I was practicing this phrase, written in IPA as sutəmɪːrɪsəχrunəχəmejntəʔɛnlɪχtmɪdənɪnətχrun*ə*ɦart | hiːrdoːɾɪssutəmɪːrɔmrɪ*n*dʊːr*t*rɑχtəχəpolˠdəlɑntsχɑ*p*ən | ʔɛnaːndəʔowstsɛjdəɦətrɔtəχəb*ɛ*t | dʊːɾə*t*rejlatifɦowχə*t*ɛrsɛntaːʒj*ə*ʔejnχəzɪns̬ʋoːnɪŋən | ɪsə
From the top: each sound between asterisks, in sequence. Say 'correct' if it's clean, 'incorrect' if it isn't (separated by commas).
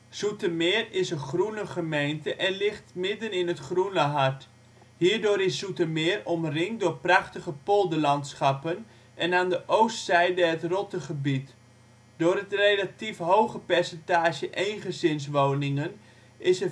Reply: correct, incorrect, incorrect, correct, incorrect, correct, incorrect, correct